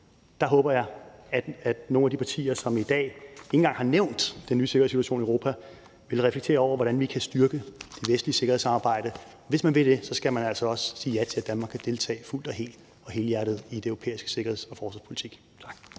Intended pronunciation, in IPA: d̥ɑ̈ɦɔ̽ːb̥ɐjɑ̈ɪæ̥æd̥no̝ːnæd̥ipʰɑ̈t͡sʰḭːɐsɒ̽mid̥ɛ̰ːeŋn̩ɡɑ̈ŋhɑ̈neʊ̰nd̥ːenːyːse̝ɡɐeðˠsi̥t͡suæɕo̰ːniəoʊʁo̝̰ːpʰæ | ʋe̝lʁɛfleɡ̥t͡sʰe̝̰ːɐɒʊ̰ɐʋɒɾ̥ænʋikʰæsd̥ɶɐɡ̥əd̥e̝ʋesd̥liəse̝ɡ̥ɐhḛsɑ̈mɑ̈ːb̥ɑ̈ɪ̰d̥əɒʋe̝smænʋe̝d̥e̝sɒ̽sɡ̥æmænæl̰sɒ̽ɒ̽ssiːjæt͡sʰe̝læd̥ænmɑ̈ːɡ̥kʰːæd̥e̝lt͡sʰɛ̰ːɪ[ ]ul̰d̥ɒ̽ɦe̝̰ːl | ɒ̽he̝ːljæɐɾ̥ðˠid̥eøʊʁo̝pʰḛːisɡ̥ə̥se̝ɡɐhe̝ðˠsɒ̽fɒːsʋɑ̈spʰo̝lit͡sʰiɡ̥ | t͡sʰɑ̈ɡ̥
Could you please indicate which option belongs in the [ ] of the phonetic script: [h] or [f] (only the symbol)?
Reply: f